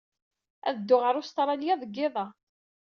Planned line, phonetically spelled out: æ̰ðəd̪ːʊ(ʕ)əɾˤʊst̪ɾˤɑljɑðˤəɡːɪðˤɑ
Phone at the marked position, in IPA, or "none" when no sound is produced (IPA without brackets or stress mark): ʁ